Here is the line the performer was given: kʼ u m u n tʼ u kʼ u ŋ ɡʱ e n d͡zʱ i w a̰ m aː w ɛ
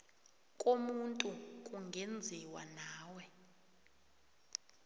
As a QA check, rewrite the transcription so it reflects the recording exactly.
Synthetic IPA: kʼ o m u n tʼ u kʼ u ŋ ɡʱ e n d͡zʱ i w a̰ n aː w ɛ